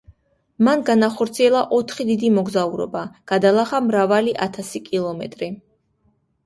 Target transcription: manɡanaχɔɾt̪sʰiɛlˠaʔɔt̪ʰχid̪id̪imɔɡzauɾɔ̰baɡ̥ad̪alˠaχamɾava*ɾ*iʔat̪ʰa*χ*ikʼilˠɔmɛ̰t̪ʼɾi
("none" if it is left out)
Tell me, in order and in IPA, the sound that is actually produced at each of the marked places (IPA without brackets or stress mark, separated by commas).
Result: l, s